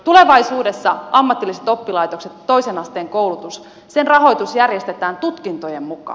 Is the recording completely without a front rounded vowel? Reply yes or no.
yes